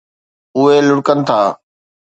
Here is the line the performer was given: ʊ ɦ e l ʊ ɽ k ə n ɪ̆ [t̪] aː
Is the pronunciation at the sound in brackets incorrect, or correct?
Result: incorrect